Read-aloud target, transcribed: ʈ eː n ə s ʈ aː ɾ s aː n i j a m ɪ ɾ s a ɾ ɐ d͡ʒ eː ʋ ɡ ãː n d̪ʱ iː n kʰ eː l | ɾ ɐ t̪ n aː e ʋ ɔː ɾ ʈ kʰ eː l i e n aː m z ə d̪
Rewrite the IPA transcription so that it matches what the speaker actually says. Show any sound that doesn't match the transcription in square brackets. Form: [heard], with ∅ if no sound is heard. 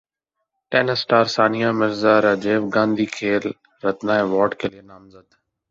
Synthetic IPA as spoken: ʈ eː n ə s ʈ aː ɾ s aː n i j a m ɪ ɾ [z] a ɾ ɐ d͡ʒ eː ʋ ɡ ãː n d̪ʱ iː [∅] kʰ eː l | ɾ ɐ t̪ n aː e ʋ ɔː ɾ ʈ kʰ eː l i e n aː m z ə d̪